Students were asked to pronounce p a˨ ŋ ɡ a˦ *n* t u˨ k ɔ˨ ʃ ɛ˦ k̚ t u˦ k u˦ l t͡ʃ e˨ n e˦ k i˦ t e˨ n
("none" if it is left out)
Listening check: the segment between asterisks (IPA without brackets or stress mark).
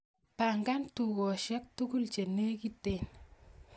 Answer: n